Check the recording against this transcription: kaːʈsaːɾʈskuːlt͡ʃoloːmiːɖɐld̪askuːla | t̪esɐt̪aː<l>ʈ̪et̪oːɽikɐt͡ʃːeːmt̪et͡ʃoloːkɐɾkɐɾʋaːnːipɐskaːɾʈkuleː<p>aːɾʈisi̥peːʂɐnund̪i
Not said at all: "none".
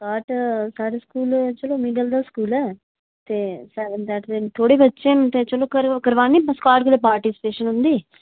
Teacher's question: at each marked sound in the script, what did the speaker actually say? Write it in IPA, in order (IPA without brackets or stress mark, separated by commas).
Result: none, p